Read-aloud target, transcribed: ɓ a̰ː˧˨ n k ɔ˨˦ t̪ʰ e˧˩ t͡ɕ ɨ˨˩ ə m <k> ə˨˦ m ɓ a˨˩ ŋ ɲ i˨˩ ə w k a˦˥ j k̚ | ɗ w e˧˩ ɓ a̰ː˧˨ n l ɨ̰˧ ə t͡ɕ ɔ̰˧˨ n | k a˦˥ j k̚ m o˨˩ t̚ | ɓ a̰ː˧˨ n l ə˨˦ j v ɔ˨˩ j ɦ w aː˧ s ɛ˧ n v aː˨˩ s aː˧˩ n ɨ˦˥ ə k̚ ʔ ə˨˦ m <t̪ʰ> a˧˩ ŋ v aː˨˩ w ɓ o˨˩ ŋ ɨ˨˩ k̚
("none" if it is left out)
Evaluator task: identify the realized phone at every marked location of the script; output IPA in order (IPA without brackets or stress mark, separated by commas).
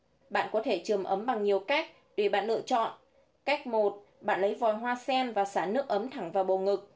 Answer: ʔ, t̪ʰ